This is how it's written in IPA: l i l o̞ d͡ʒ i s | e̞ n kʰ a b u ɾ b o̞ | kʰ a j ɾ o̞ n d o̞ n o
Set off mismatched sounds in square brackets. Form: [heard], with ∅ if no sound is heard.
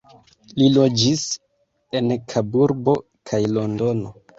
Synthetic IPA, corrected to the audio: l i l o̞ d͡ʒ i s | e̞ n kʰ a b u ɾ b o̞ | kʰ a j [l] o̞ n d o̞ n o